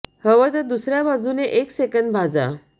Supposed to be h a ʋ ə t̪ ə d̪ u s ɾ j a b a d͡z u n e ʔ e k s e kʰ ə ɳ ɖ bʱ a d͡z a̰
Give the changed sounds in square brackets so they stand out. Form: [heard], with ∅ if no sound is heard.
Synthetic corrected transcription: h [ə] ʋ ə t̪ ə d̪ u s ɾ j a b a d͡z u n e ʔ e k s e [k] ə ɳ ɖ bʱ a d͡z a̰